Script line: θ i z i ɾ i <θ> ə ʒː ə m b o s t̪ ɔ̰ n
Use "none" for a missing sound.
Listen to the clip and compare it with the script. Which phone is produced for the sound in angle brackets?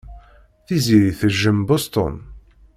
θ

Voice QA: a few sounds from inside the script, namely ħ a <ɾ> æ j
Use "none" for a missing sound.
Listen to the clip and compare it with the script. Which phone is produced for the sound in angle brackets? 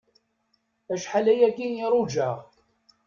l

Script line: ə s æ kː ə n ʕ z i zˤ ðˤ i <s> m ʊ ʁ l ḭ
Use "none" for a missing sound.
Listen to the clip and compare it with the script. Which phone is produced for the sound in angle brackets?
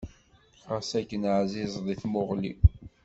θ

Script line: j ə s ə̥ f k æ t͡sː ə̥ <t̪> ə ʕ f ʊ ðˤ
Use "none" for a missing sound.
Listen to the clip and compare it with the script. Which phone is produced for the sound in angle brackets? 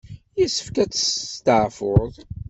t̪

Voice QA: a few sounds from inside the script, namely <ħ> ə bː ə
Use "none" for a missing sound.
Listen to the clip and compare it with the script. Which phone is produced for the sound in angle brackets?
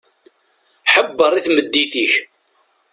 ħ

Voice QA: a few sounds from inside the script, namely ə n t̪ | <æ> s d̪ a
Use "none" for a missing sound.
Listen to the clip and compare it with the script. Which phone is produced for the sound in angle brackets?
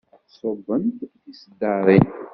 i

